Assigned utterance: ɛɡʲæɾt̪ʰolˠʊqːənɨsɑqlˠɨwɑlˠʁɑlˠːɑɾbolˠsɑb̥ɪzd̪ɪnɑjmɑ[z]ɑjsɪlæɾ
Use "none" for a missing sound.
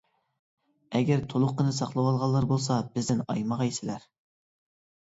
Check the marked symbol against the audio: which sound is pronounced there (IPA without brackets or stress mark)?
ʁ